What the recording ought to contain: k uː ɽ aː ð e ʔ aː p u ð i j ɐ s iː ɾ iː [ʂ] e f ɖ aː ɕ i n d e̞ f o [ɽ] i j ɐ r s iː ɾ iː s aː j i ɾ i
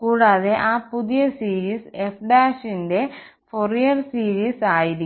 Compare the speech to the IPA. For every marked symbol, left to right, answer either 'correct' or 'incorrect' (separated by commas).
incorrect, incorrect